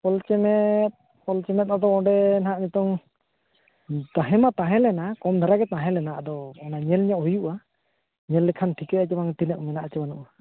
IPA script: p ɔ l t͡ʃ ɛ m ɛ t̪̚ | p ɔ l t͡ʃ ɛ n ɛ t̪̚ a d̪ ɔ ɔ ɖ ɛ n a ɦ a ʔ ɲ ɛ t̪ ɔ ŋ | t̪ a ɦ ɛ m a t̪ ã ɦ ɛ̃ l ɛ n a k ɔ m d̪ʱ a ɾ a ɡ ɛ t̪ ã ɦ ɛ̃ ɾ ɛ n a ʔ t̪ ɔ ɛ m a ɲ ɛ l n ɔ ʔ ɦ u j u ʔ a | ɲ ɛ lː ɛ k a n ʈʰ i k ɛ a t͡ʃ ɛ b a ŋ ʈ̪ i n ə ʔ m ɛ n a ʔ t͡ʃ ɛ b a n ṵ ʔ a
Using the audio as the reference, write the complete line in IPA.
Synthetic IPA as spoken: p ɔ l t͡ʃ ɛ m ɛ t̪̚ | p ɔ l t͡ʃ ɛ m ɛ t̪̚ a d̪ ɔ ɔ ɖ ɛ n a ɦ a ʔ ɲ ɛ t̪ ɔ ŋ | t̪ a ɦ ɛ m a t̪ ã ɦ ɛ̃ l ɛ n a k ɔ m d̪ʱ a ɾ a ɡ ɛ t̪ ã ɦ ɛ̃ l ɛ n a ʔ d̪ ɔ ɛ n a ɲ ɛ l ɲ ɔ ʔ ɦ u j u ʔ a | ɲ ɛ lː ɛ kʰ a n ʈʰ i k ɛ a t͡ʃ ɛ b a ŋ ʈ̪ i n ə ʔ m ɛ n a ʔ t͡ʃ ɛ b a n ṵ ʔ a